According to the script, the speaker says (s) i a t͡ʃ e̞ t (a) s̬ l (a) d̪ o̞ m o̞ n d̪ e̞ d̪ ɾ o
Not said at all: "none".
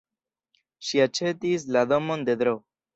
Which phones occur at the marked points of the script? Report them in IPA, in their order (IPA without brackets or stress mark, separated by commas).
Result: ʃ, i, a